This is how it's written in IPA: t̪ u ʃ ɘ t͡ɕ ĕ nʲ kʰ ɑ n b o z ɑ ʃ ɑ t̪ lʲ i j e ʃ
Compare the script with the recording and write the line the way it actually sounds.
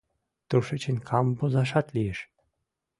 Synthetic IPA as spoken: t̪ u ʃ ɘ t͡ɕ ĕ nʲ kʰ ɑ m b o z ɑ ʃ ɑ t̪ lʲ i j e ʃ